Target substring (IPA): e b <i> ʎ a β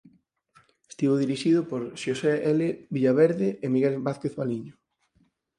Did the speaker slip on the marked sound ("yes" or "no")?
no